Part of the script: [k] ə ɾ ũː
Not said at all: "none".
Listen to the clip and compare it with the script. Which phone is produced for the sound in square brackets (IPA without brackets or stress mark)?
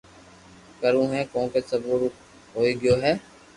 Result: k